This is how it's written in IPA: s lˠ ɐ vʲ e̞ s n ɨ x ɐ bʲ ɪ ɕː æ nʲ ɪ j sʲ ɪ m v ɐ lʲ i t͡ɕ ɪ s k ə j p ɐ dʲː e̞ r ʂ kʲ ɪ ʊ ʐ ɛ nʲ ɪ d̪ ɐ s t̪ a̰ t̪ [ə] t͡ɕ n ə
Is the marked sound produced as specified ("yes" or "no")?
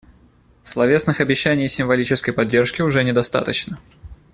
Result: yes